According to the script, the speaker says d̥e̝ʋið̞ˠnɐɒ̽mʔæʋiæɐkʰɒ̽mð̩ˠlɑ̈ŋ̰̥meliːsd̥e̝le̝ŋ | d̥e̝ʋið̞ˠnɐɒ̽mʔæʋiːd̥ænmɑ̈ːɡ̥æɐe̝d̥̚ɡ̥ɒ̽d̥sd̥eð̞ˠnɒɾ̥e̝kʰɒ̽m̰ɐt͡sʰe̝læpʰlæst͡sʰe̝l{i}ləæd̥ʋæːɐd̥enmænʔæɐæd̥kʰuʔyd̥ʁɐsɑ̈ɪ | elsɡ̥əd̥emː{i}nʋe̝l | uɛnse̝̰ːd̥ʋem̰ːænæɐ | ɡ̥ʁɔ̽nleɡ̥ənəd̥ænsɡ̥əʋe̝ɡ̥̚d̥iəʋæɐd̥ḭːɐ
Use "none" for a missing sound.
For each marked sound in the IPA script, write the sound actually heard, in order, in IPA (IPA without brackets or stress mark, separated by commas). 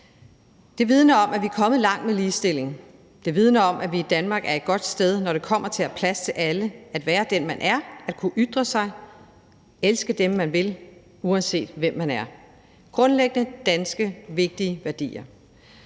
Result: æ, æ